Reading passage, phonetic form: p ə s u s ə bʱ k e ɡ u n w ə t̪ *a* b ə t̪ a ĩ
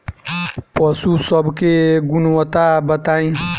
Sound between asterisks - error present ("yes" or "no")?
no